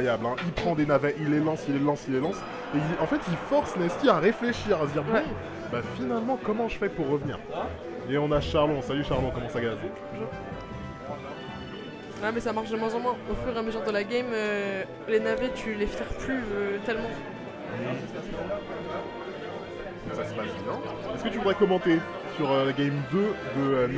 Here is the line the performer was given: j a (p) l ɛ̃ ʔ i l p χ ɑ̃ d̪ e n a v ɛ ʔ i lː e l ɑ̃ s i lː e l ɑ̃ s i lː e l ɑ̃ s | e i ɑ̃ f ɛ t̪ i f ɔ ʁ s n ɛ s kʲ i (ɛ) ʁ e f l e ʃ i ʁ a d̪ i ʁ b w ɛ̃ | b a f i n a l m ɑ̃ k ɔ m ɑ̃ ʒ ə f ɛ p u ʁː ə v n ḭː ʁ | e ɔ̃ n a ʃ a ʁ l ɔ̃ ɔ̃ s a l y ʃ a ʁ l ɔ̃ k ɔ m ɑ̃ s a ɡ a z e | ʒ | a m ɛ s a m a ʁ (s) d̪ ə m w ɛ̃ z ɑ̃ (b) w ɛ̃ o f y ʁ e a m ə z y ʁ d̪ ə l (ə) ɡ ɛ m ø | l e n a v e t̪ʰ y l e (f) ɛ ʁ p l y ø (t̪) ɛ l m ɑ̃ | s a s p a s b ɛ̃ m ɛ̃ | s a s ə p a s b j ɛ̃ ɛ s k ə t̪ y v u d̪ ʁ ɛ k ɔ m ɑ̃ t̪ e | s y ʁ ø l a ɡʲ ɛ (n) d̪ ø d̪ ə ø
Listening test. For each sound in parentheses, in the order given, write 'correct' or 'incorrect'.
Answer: incorrect: b, incorrect: a, incorrect: ʃ, incorrect: m, incorrect: a, correct, correct, incorrect: m

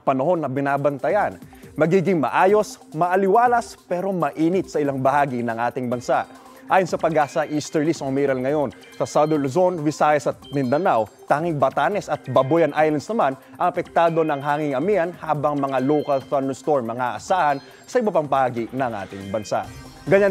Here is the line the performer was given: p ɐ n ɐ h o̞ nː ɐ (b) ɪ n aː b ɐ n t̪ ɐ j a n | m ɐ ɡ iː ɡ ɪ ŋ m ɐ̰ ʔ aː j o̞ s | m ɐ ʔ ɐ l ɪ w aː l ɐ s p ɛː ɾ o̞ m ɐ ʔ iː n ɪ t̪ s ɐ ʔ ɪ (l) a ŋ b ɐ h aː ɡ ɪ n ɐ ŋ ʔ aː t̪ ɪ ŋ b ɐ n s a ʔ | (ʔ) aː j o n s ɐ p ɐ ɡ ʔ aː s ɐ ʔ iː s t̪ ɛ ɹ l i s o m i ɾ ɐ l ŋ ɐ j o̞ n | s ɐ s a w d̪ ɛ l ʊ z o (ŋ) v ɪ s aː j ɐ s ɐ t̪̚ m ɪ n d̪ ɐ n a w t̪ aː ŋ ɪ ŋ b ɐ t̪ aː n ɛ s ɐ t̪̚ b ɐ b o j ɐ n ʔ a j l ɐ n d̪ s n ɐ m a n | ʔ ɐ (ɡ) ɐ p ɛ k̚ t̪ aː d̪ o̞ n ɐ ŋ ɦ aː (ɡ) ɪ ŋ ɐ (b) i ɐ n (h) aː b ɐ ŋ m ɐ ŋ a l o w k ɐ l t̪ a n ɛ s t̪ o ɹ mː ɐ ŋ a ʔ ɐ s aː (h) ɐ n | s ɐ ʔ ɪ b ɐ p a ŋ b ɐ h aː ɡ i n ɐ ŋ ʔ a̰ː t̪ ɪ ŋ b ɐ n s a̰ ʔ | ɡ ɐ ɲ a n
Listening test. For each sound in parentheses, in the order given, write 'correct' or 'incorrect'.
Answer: correct, correct, correct, incorrect: n, incorrect: ŋ, incorrect: ŋ, incorrect: m, correct, correct

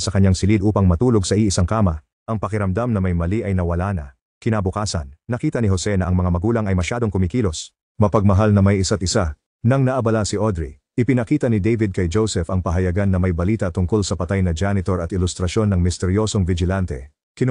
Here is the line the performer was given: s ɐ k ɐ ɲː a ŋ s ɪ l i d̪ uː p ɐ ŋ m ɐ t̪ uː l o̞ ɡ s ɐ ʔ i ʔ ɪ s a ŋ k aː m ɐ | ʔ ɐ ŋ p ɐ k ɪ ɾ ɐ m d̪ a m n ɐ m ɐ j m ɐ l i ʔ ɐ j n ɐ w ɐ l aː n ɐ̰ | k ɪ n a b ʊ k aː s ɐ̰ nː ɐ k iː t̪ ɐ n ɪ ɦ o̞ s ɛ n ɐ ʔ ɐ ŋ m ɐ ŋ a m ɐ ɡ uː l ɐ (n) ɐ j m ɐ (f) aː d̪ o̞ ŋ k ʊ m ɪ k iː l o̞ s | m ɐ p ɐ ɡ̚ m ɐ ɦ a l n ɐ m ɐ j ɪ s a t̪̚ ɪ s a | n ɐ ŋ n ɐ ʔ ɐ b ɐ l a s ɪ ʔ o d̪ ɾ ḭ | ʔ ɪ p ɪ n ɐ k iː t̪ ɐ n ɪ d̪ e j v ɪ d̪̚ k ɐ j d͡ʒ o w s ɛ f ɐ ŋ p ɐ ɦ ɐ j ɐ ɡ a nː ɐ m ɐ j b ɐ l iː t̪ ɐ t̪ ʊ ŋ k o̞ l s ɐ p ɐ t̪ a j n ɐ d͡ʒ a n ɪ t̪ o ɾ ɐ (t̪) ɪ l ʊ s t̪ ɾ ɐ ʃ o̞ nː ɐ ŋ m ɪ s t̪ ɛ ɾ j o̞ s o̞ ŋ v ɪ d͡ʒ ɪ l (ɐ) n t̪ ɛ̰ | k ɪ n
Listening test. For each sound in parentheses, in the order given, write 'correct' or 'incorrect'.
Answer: incorrect: ŋ, incorrect: ʃ, correct, incorrect: a

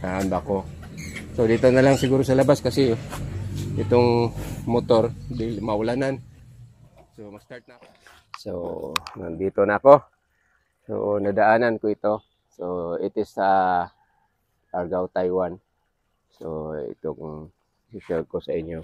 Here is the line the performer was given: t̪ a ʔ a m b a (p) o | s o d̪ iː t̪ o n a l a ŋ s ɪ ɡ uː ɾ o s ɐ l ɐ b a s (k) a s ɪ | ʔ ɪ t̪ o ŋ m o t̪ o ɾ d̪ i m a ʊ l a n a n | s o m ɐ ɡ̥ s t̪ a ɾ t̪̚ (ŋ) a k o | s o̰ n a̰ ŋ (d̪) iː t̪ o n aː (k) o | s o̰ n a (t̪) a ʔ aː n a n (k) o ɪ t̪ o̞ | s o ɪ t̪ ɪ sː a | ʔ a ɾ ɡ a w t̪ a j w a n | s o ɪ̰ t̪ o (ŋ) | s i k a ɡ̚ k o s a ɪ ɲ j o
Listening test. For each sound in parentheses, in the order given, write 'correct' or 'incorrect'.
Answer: incorrect: k, correct, incorrect: n, correct, correct, incorrect: d̪, correct, correct

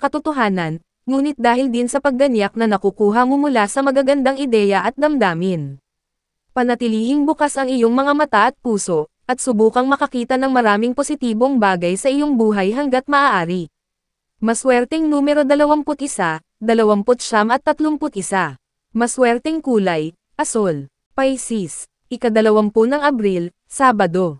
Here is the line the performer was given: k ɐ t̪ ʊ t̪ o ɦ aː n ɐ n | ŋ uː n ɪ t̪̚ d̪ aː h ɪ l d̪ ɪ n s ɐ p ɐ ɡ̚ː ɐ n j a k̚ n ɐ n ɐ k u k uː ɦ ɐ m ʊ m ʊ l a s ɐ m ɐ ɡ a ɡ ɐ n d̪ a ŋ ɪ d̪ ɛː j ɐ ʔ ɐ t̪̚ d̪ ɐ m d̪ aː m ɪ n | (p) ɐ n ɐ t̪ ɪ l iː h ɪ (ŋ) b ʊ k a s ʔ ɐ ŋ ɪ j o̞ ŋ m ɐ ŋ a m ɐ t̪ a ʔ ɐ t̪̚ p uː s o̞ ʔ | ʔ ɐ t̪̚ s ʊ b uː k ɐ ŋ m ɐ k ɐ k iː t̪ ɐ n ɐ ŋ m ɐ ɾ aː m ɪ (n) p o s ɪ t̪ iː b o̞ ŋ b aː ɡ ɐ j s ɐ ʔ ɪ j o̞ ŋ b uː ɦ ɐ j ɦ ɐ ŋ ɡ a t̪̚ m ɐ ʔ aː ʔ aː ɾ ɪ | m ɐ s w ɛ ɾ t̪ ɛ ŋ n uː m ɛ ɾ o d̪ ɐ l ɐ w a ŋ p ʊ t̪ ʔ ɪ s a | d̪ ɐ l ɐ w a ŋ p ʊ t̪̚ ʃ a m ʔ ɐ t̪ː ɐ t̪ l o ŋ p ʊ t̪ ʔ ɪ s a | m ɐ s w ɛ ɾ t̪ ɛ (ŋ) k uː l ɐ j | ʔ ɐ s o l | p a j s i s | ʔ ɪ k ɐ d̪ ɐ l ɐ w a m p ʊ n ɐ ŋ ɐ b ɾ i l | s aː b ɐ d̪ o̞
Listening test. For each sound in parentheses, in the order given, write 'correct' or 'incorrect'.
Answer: correct, correct, incorrect: ŋ, correct

